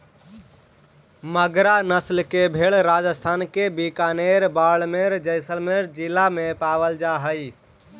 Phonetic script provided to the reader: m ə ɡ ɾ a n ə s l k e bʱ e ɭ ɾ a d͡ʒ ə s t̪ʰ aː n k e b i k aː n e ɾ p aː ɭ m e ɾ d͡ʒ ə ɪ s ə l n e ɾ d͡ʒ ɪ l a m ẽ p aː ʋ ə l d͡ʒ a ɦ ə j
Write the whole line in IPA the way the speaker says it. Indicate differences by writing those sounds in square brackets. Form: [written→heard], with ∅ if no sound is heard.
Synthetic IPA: m ə ɡ ɾ a n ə s l k e bʱ e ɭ ɾ a d͡ʒ ə s t̪ʰ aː n k e b i k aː n e ɾ [p→b] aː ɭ m e ɾ d͡ʒ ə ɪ s ə l [n→m] e ɾ d͡ʒ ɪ l a m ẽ p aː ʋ ə l d͡ʒ a ɦ ə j

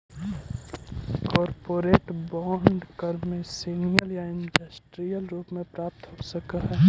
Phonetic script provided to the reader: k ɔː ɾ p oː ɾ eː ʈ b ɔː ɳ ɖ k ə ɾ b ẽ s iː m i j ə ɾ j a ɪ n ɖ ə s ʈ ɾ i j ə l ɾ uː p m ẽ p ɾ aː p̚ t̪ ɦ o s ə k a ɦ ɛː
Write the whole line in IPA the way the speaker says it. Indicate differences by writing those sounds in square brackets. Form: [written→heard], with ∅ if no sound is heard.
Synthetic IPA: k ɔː ɾ p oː ɾ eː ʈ b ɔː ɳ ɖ k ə ɾ [b→m] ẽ s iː [m→n] i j ə [ɾ→l] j a ɪ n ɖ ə s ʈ ɾ i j ə l ɾ uː p m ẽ p ɾ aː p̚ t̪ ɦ o s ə k a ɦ ɛː

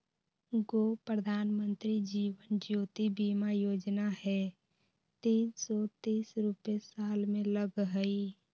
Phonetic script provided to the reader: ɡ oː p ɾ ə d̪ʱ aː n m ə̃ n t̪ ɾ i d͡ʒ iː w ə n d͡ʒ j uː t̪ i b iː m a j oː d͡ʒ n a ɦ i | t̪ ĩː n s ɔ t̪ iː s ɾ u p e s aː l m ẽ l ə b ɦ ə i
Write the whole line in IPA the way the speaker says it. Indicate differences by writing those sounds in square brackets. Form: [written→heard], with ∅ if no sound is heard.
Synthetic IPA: ɡ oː p ɾ ə d̪ʱ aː n m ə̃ n t̪ ɾ i d͡ʒ iː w ə n d͡ʒ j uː t̪ i b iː m a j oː d͡ʒ n a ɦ [i→ɛ] | t̪ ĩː n s ɔ t̪ iː s ɾ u p e s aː l m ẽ l ə [b→ɡ] ɦ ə i

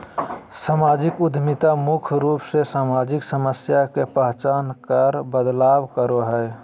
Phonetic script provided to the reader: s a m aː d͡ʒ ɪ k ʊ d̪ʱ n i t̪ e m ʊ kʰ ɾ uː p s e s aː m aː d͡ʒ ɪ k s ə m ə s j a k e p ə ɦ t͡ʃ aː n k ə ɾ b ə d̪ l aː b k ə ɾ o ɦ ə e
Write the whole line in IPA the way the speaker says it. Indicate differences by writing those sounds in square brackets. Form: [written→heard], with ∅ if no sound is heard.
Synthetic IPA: s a m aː d͡ʒ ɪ k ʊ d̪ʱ [n→m] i t̪ [e→a] m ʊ kʰ ɾ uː p s e s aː m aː d͡ʒ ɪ k s ə m ə s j a k e p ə ɦ t͡ʃ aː n k ə ɾ b ə d̪ l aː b k ə ɾ o ɦ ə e

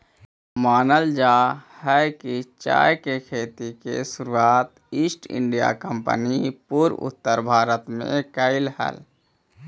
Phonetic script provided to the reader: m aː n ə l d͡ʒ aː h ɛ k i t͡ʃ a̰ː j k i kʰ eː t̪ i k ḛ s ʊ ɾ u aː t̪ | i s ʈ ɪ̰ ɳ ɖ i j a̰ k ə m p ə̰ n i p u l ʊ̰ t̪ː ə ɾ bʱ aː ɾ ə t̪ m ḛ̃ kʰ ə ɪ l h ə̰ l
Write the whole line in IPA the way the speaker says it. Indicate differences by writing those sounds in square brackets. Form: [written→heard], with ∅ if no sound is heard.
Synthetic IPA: m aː n ə l d͡ʒ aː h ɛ k i t͡ʃ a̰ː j k [i→e] kʰ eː t̪ i k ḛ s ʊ ɾ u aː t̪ | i s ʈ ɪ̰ ɳ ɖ i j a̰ k ə m p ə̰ n i p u [l→ɾ] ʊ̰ t̪ː ə ɾ bʱ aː ɾ ə t̪ m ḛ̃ [kʰ→k] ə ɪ l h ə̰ l

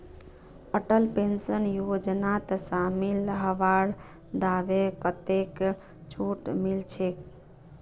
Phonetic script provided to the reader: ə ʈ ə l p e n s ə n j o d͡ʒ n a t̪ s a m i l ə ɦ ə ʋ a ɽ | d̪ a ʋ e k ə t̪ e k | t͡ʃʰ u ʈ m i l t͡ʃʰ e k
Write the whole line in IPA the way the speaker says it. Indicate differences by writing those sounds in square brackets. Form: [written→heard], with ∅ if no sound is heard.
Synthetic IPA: ə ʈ ə l p e n s ə n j o d͡ʒ n a t̪ s a m i l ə ɦ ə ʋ a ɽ | d̪ a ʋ e k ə t̪ e k | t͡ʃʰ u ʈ m i l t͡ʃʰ e k

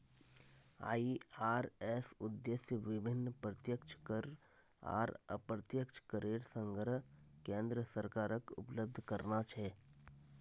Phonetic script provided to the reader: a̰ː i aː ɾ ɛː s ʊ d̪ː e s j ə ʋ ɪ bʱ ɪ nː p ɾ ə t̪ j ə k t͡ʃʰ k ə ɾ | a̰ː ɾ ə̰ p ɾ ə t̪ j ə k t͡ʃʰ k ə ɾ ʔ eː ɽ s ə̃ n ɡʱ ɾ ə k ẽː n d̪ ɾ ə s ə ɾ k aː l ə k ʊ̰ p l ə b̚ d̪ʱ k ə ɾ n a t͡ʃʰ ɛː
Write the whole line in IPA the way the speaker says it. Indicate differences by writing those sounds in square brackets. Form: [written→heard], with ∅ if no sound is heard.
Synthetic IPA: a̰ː i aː ɾ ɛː s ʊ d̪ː e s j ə ʋ ɪ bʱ ɪ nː p ɾ ə t̪ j ə k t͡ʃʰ k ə ɾ | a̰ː ɾ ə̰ p ɾ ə t̪ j ə k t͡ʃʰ k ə ɾ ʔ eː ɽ s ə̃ [n→ŋ] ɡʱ ɾ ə k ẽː n d̪ ɾ ə s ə ɾ k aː [l→ɾ] ə k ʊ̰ p l ə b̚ d̪ʱ k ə ɾ n a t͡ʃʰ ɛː

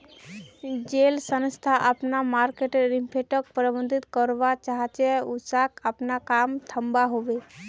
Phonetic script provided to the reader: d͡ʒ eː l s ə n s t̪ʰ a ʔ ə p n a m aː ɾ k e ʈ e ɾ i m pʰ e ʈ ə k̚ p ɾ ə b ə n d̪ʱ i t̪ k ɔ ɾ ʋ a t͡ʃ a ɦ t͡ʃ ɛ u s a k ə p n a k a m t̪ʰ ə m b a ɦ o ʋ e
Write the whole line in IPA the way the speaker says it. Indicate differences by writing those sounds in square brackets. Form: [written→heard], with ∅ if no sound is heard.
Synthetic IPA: d͡ʒ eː l s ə n s t̪ʰ a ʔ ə p n a m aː ɾ k e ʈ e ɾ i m pʰ e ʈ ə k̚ p ɾ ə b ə n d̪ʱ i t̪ k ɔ ɾ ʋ a t͡ʃ a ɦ t͡ʃ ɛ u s a k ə p n a k a m t̪ʰ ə m b a ɦ o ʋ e

